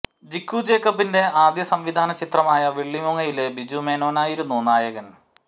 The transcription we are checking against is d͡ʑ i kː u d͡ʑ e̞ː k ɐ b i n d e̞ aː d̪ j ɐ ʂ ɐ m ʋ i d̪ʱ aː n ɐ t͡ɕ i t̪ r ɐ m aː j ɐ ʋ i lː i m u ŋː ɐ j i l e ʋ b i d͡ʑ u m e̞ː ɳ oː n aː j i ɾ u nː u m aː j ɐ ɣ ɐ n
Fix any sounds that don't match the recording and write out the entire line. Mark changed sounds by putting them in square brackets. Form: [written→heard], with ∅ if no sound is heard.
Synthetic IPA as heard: d͡ʑ i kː u d͡ʑ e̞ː k ɐ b i n d e̞ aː d̪ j ɐ [ʂ→s] ɐ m ʋ i d̪ʱ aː n ɐ t͡ɕ i t̪ r ɐ m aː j ɐ ʋ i [lː→ɭː] i m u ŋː ɐ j i l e [ʋ→∅] b i d͡ʑ u m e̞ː [ɳ→n] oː n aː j i ɾ u nː u [m→n] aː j ɐ ɣ ɐ n